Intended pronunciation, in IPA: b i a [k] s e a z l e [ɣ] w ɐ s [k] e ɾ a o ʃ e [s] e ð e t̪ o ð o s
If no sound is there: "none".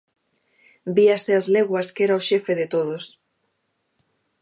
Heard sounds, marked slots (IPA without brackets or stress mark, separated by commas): none, ɣ, k, f